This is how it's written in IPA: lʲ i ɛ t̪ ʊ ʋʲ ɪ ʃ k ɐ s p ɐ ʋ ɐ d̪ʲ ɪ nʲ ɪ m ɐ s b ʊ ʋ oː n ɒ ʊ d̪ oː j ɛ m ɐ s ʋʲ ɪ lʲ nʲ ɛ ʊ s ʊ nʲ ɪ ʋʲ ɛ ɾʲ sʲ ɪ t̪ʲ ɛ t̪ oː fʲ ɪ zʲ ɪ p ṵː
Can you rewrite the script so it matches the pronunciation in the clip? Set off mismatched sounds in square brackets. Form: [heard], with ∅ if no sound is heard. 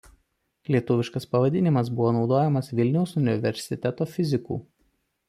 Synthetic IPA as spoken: lʲ i ɛ t̪ ʊ ʋʲ ɪ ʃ k ɐ s p ɐ ʋ ɐ d̪ʲ ɪ nʲ ɪ m ɐ s b ʊ ʋ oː n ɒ ʊ d̪ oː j ɛ m ɐ s ʋʲ ɪ lʲ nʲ ɛ ʊ s ʊ nʲ ɪ ʋʲ ɛ ɾʲ sʲ ɪ t̪ʲ ɛ t̪ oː fʲ ɪ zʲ ɪ [k] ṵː